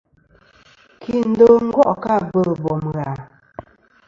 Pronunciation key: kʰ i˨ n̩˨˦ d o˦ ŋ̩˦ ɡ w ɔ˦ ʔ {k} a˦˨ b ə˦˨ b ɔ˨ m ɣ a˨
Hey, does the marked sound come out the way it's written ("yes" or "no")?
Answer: yes